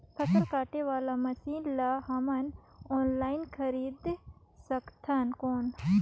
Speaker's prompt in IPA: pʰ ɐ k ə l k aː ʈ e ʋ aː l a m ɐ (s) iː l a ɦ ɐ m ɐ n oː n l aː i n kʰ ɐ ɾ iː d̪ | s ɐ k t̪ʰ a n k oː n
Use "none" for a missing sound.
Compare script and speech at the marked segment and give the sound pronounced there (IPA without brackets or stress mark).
s